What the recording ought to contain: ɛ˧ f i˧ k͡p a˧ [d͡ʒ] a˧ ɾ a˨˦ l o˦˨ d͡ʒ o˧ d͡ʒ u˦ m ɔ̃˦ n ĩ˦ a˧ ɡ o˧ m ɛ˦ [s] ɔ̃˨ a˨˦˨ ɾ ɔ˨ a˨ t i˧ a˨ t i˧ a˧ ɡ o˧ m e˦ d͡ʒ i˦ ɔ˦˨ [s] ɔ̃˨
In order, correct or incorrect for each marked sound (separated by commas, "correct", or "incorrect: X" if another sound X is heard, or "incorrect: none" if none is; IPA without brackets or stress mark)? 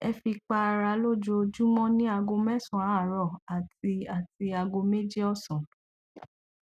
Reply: incorrect: none, correct, correct